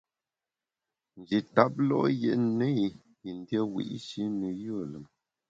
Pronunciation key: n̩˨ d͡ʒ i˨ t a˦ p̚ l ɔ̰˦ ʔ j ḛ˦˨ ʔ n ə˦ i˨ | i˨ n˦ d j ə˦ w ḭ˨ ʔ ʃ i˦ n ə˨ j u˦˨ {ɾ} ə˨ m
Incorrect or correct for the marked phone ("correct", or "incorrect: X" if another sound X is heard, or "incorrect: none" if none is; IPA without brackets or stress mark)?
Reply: incorrect: l